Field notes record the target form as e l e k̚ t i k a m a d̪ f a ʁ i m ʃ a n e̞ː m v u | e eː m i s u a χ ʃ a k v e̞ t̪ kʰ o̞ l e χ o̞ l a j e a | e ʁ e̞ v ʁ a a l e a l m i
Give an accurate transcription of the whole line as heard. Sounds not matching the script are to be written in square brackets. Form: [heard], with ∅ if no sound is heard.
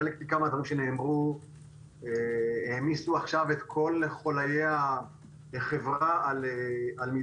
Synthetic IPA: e l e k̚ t i k a m a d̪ [v] a ʁ i m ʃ [e] n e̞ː m [ʁ] u | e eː m i s u a χ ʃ a [∅] v e̞ t̪ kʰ o̞ l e χ o̞ l a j e a | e [χ] e̞ v ʁ a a l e a l m i